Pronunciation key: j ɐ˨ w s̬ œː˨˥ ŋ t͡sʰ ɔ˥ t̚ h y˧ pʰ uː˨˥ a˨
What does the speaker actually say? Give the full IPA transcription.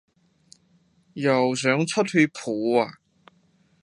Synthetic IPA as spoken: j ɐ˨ w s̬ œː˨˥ ŋ t͡sʰ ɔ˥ t̚ h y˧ pʰ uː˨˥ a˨

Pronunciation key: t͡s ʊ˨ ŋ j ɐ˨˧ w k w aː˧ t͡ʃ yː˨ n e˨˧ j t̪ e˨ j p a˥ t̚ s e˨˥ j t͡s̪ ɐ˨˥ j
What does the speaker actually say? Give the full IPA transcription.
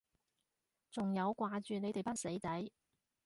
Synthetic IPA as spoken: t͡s ʊ˨ ŋ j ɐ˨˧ w k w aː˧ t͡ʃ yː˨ n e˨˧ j t̪ e˨ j p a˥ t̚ s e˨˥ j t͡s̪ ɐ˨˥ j

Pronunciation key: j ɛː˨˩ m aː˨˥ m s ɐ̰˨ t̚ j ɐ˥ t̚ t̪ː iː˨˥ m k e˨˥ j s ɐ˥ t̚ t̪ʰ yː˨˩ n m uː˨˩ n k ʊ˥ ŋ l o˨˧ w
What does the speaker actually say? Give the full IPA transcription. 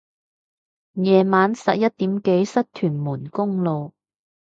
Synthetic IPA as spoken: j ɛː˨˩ m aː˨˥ n s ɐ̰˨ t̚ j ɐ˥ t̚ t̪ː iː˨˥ m k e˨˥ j s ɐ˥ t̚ t̪ʰ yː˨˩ n m uː˨˩ n k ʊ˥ ŋ l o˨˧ w

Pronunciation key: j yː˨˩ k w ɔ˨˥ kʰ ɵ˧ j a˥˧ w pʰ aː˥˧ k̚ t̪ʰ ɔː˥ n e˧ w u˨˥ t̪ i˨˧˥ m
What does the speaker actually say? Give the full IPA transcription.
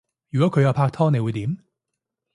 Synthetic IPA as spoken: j y˨˩ k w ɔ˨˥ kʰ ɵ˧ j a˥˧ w pʰ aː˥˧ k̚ t̪ʰ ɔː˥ n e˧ w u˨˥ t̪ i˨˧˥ m

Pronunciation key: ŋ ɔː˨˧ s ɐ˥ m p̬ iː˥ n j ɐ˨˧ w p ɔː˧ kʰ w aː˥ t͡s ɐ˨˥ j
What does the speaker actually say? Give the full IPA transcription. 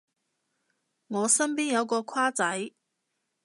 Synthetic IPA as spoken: ŋ ɔː˨˧ s ɐ˥ m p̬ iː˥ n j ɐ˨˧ w k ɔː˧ kʰ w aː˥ t͡s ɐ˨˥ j

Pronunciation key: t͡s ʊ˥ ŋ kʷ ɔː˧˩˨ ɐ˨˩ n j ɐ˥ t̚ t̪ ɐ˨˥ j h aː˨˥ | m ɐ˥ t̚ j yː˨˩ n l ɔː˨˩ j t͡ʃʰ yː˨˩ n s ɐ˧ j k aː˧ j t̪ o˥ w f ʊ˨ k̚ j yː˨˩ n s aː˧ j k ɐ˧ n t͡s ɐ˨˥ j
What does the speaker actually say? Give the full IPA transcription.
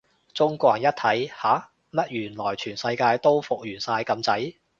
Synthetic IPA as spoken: t͡s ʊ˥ ŋ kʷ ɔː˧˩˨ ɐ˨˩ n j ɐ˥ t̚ t̪ʰ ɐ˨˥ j h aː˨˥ | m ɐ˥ t̚ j yː˨˩ n l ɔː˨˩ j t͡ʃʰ yː˨˩ n s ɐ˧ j k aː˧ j t̪ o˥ w f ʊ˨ k̚ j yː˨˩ n s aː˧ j k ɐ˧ m t͡s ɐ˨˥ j

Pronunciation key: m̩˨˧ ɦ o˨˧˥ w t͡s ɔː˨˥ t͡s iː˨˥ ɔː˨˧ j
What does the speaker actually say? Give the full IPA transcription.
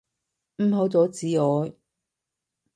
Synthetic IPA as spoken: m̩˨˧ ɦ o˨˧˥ w t͡s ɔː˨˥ t͡s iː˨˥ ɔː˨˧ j

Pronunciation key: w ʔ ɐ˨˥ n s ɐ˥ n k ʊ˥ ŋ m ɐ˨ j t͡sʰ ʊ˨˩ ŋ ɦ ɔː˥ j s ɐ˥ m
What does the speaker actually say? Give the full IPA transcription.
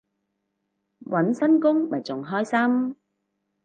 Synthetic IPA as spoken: w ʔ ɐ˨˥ n s ɐ˥ n k ʊ˥ ŋ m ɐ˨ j t͡s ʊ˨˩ ŋ ɦ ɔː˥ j s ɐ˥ m

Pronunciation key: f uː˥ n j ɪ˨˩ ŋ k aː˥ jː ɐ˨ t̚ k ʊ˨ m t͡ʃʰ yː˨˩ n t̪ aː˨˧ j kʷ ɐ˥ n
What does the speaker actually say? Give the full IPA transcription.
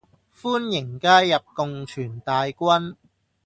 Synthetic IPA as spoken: f uː˥ n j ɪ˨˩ ŋ k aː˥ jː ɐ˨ p̚ k ʊ˨ ŋ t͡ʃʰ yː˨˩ n t̪ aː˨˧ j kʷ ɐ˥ n

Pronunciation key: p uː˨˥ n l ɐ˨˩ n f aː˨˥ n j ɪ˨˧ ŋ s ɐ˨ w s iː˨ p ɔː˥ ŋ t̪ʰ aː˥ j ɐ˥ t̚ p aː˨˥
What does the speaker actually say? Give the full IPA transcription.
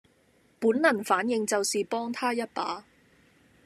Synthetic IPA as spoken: p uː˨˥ n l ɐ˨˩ n f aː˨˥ n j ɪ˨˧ ŋ t͡s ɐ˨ w s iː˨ p ɔː˥ ŋ t̪ʰ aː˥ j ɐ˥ t̚ p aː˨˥

